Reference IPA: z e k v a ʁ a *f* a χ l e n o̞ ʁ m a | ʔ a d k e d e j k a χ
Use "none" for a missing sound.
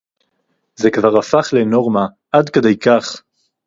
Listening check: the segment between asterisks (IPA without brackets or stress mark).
f